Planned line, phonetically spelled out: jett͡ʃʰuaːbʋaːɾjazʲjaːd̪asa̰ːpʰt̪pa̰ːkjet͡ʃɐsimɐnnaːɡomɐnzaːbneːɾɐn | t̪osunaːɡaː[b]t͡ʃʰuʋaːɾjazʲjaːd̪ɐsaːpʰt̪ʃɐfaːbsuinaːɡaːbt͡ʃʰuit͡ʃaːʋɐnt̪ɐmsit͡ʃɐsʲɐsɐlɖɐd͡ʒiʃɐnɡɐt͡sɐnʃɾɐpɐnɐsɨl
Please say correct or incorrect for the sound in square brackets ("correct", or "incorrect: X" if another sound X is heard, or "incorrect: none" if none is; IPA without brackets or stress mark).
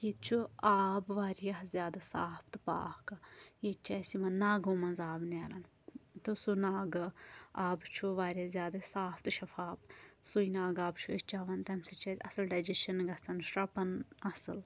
correct